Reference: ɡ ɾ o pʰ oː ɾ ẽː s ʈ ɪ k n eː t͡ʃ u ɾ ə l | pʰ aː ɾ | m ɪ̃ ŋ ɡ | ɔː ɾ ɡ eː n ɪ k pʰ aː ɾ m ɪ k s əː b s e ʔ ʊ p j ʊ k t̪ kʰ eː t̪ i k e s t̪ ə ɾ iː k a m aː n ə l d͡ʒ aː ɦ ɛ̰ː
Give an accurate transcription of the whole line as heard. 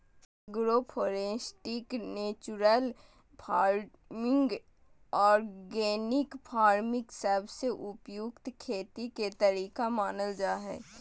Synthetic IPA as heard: ɡ ɾ o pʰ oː ɾ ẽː s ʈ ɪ k n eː t͡ʃ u ɾ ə l | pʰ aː ɾ | m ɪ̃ ŋ ɡ | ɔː ɾ ɡ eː n ɪ k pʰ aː ɾ m ɪ k s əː b s e ʔ ʊ p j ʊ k t̪ kʰ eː t̪ i k e t̪ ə ɾ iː k a m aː n ə l d͡ʒ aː ɦ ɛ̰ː